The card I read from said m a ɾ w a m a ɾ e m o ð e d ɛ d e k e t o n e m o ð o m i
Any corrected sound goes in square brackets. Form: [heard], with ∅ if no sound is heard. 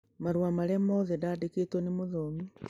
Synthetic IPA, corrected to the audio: m a ɾ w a m a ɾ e m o ð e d [a] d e k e t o n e m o ð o m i